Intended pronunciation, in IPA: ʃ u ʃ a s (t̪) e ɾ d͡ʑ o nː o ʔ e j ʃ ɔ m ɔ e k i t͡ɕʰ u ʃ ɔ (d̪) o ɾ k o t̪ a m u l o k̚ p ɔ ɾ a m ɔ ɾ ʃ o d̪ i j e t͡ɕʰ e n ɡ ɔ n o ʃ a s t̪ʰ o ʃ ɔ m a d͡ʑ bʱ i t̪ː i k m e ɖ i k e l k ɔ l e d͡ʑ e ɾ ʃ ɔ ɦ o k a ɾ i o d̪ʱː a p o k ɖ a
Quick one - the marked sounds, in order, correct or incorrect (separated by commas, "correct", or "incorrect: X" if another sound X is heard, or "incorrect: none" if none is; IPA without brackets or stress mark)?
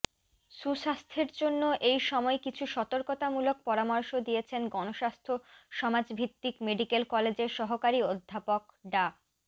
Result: incorrect: t̪ʰ, incorrect: t̪